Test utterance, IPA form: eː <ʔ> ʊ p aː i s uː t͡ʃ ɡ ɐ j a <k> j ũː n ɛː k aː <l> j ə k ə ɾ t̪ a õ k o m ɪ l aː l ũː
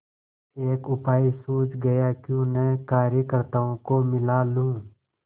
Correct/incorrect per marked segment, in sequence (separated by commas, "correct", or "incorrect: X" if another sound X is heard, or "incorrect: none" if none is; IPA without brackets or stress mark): incorrect: k, correct, incorrect: ɾ